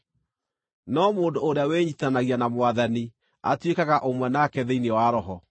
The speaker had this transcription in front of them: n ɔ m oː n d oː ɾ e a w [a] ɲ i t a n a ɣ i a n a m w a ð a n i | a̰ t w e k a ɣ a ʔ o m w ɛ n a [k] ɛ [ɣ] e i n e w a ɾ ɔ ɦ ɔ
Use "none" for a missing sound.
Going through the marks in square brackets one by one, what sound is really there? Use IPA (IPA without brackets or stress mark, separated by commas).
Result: e, k, ð